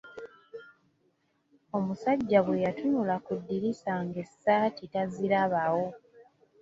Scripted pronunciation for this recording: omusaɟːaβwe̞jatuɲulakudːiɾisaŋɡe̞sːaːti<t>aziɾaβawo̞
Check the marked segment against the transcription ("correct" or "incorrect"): correct